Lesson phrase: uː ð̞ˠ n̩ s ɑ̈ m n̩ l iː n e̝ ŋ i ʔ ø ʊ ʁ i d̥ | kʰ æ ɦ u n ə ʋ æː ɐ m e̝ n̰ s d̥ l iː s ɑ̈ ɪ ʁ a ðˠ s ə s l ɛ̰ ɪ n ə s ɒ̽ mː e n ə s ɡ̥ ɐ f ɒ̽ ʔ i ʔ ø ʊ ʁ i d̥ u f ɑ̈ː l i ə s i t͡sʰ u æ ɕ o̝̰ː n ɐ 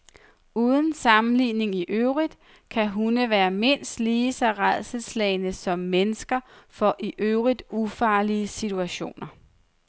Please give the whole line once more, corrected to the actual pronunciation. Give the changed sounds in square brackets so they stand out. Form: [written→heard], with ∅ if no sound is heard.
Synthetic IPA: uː ð̞ˠ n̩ s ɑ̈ m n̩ l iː n e̝ ŋ i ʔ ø ʊ ʁ i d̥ | kʰ æ ɦ u n ə ʋ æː ɐ m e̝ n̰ s d̥ l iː s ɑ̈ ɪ ʁ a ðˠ s ə s l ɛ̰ ɪ n ə s ɒ̽ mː e n ə s ɡ̥ ɐ f ɒ̽ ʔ i ʔ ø ʊ ʁ i d̥ u f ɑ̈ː l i ə s i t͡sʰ u æ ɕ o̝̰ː n ɐ